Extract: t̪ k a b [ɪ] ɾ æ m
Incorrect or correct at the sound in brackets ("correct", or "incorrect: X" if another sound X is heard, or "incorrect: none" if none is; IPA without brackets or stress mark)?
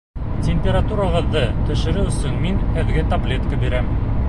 incorrect: i